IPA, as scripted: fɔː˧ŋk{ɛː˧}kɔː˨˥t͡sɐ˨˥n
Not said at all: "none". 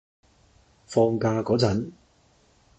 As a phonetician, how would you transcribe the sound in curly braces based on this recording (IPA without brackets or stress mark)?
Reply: aː˧